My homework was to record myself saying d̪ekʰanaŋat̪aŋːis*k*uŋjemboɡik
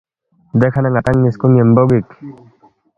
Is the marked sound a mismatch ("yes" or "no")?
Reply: no